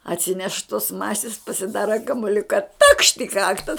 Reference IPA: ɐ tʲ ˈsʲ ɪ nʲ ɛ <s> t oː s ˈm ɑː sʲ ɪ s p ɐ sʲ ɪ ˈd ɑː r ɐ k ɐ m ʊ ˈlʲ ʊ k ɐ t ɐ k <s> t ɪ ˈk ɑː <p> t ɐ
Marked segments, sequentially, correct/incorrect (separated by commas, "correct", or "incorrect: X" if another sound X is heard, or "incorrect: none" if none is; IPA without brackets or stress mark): incorrect: ʃ, incorrect: ʃ, incorrect: k